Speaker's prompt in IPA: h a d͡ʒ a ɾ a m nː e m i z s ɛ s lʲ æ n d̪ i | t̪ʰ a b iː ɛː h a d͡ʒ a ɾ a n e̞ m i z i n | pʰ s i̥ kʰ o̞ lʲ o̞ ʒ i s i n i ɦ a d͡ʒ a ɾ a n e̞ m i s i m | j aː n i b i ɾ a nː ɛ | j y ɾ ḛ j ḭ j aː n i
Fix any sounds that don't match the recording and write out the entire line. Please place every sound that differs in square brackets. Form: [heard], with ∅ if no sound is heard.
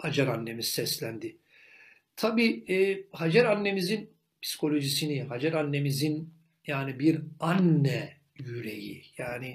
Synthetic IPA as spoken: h a d͡ʒ a ɾ a [∅] nː e m i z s ɛ s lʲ æ n d̪ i | t̪ʰ a b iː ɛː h a d͡ʒ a ɾ a [nː] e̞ m i z i n | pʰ s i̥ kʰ o̞ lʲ o̞ ʒ i s i n i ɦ a d͡ʒ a ɾ a [nː] e̞ m i [z] i [n] | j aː n i b i ɾ a nː ɛ | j y ɾ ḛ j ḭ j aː n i